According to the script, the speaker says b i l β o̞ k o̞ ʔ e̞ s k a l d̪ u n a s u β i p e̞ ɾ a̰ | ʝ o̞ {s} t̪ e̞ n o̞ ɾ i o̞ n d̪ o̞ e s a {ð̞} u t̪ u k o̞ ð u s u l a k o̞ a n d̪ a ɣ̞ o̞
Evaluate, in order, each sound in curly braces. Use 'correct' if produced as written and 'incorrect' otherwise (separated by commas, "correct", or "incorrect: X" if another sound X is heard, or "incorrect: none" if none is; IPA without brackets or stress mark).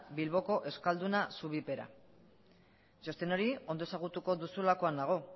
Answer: correct, incorrect: ɣ̞